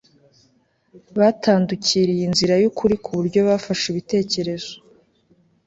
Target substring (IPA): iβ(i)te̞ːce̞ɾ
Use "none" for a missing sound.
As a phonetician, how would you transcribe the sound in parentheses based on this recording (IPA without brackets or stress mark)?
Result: i